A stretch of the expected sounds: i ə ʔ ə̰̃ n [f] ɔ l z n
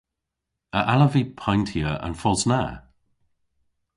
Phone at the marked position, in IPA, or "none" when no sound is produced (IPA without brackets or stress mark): f